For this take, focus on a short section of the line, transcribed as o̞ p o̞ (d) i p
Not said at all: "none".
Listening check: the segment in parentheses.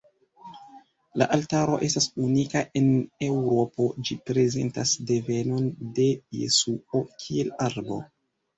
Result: d͡ʒ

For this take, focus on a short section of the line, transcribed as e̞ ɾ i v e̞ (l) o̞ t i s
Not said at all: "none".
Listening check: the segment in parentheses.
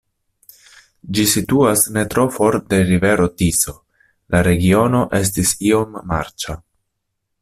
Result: ɾ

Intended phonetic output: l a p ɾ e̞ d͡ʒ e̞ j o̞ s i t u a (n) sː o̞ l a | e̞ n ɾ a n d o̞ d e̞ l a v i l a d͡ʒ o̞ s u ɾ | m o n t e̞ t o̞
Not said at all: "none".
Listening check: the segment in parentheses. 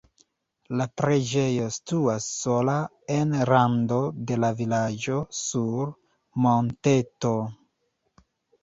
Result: none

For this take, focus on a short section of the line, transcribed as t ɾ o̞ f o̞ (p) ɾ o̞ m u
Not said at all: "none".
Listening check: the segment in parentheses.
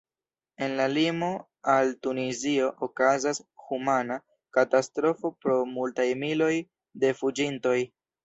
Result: p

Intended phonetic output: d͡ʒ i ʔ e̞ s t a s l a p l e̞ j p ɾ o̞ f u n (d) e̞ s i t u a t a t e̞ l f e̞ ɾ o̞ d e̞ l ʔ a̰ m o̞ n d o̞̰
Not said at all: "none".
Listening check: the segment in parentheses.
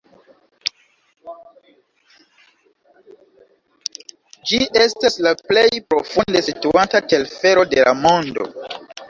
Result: d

